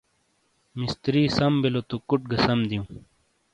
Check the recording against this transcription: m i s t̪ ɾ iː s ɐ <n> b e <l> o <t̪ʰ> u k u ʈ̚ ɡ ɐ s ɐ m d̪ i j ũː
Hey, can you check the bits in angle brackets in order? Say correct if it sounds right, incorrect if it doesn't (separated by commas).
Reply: incorrect, correct, incorrect